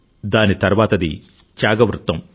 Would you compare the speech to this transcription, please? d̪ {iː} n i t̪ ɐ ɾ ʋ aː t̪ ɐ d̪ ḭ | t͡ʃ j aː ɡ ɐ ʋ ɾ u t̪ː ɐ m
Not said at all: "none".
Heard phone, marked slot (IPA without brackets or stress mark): aː